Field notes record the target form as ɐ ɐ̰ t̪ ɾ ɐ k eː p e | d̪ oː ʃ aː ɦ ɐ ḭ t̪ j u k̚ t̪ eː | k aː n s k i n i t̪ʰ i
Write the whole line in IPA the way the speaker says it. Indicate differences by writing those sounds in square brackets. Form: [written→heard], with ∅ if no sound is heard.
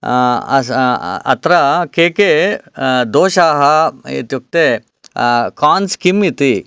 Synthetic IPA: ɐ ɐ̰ t̪ ɾ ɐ k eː [p→k] e | d̪ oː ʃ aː ɦ ɐ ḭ t̪ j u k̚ t̪ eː | k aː n s k i [n→m] i [t̪ʰ→t̪] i